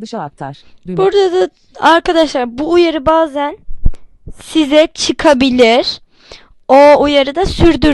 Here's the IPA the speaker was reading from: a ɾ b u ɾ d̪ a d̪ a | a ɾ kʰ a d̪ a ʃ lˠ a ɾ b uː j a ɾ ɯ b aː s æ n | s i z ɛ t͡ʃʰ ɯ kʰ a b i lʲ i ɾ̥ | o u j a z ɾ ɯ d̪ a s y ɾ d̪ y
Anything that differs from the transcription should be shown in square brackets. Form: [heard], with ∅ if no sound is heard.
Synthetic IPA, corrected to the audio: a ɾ b u ɾ d̪ a d̪ a | a ɾ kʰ a d̪ a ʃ lˠ a ɾ b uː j a ɾ ɯ b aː [z] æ n | s i z ɛ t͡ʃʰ ɯ kʰ a b i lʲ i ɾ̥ | o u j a [∅] ɾ ɯ d̪ a s y ɾ d̪ y